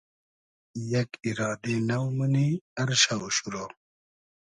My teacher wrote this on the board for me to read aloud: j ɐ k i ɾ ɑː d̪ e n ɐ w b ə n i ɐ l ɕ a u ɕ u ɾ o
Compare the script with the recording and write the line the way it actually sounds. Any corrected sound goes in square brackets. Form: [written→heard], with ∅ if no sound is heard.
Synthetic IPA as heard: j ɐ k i ɾ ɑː d̪ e n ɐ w [b→m] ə n i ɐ [l→ɾ] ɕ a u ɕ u ɾ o

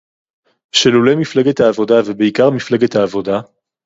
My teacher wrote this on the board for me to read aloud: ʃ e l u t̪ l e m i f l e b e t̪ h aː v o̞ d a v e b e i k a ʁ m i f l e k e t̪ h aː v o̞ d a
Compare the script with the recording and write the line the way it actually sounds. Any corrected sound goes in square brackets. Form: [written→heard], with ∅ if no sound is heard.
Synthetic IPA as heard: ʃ e l u [t̪→∅] l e m i f l e [b→ɡ] e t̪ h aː v o̞ d a v e b e i k a ʁ m i f l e [k→ɡ] e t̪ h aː v o̞ d a

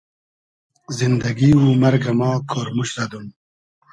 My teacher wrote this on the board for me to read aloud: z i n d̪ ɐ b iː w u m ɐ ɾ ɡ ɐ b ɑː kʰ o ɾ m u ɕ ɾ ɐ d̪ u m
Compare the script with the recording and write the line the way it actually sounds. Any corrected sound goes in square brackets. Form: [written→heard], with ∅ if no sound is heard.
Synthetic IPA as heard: z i n d̪ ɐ [b→ɡ] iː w u m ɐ ɾ ɡ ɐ [b→m] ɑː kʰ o ɾ m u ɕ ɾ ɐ d̪ u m

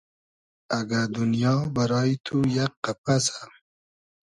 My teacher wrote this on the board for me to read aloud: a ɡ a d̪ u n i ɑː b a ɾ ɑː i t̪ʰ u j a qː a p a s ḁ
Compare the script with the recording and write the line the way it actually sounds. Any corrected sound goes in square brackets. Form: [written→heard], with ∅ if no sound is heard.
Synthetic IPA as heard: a ɡ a d̪ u n [i→j] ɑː b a ɾ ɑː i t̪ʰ u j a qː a p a s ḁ

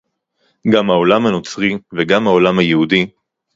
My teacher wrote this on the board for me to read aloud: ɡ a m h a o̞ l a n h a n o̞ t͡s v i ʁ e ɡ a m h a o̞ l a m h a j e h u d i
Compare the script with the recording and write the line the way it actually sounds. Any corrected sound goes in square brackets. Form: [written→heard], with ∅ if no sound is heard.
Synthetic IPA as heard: ɡ a m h a o̞ l a [n→m] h a n o̞ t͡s [v→ʁ] i [ʁ→v] e ɡ a m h a o̞ l a m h a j e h u d i

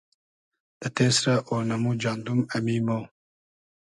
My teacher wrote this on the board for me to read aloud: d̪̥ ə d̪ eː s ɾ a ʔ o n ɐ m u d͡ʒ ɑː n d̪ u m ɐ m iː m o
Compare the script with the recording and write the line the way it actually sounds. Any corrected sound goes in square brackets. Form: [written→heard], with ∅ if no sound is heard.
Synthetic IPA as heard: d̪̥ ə [d̪→t̪] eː s ɾ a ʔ o n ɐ m u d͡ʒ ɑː n d̪ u m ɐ m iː m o

